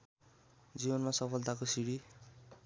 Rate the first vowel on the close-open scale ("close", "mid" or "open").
close